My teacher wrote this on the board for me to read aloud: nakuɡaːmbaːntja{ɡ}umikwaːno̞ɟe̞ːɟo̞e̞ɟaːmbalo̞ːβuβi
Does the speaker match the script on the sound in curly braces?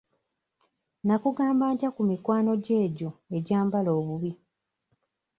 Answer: no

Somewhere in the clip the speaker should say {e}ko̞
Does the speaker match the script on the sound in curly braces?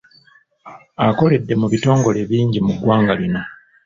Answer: no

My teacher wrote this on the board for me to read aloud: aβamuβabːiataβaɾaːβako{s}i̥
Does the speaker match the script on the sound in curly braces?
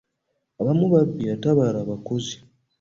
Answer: no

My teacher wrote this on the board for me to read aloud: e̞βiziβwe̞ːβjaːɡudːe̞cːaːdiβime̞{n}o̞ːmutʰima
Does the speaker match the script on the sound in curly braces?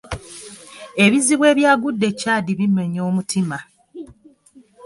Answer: no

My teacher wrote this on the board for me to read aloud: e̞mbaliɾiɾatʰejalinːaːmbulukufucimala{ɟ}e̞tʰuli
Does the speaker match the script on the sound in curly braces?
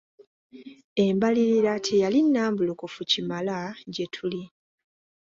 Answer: yes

